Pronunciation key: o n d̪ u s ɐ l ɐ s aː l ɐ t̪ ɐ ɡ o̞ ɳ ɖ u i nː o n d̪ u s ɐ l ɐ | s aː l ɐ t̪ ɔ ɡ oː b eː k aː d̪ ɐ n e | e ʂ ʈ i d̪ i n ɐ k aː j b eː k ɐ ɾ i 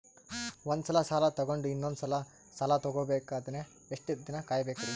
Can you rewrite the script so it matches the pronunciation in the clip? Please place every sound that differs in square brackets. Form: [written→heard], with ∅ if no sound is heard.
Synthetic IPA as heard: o n d̪ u s ɐ l ɐ s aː l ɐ t̪ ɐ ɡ o̞ ɳ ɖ u i nː o n d̪ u s ɐ l ɐ | s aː l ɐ t̪ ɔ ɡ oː b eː k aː d̪ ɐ n e | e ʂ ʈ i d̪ i n ɐ k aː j b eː k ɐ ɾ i